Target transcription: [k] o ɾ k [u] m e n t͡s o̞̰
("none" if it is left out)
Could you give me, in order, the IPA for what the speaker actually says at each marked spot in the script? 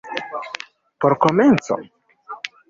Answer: p, o

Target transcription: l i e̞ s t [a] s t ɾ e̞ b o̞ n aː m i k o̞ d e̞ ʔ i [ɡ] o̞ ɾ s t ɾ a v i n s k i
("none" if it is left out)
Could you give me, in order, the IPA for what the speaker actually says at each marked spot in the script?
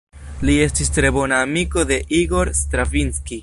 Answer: i, ɡ

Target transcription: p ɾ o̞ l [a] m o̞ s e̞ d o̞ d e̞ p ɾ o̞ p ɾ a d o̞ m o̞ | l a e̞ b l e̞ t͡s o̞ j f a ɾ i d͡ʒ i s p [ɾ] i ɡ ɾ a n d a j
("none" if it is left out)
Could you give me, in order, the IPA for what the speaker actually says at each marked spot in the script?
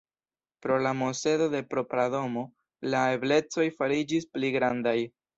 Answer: a, l

